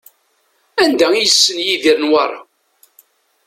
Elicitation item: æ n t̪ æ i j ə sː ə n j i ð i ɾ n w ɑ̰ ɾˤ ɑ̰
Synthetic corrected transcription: æ n d̪ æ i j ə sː ə n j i ð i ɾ n w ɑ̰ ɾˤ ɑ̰